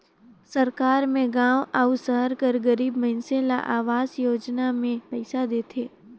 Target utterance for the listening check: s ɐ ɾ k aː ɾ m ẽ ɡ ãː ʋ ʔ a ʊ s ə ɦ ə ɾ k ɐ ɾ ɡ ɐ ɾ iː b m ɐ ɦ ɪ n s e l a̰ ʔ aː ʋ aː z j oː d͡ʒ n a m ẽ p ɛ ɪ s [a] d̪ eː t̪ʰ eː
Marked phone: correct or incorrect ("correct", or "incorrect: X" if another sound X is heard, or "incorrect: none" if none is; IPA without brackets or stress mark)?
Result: correct